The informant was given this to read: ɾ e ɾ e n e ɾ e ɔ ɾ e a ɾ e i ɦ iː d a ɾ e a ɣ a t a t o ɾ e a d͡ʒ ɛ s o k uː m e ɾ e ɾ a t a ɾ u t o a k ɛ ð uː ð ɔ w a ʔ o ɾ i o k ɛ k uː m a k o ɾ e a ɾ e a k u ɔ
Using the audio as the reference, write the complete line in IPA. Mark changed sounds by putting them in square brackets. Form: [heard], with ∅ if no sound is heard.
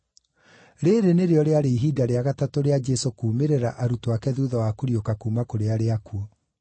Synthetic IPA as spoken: ɾ e ɾ e n e ɾ e ɔ ɾ e a ɾ e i ɦ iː d a ɾ e a ɣ a t a t o ɾ e a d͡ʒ ɛ s o k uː m e ɾ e ɾ a [ʔ] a ɾ u t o a k ɛ ð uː ð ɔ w a [k] o ɾ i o k [a] k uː m a k o ɾ e a ɾ e a k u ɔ